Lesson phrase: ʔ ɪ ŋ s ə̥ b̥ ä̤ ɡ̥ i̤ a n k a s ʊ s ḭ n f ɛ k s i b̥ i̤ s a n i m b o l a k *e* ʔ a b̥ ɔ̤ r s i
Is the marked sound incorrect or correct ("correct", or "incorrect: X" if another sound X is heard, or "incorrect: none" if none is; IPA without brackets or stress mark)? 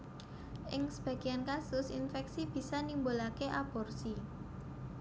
correct